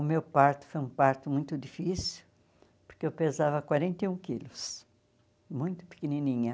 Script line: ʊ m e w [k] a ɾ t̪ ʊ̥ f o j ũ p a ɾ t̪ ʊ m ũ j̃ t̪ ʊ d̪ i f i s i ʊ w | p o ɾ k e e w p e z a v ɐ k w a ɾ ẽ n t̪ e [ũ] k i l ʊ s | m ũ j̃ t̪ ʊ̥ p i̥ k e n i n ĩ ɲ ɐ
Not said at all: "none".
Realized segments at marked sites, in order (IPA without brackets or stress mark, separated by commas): p, ũ